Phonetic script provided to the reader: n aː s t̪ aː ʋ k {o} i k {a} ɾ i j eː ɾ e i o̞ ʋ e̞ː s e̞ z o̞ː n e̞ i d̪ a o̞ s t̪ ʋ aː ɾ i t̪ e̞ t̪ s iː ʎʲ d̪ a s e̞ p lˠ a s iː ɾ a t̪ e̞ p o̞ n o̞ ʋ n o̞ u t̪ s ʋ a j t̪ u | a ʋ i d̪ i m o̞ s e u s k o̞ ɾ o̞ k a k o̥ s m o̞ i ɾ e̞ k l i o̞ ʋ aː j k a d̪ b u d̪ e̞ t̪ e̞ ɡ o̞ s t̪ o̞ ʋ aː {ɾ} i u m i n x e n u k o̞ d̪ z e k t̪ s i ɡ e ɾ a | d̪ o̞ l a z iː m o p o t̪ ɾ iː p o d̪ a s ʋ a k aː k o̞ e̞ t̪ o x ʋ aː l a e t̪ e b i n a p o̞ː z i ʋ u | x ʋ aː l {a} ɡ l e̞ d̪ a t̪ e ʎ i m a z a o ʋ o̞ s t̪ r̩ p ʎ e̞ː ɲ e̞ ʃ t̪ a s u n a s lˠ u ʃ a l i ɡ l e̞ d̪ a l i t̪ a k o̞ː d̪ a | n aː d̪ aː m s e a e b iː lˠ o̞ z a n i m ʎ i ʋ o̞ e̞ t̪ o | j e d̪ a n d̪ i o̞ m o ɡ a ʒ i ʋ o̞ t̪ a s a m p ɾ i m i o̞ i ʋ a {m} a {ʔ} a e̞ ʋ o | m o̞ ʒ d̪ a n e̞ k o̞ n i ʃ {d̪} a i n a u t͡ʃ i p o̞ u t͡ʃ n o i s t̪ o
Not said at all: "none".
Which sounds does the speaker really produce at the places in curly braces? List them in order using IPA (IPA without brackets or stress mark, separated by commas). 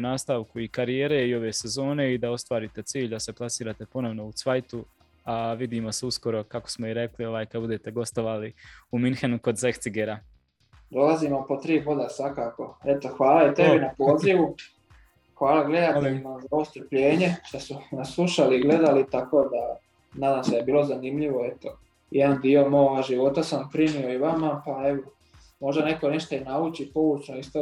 u, a, l, a, m, p, t̪